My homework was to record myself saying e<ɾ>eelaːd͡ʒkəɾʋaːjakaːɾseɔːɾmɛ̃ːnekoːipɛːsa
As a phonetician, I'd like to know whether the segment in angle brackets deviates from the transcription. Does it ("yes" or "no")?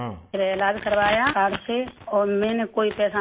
no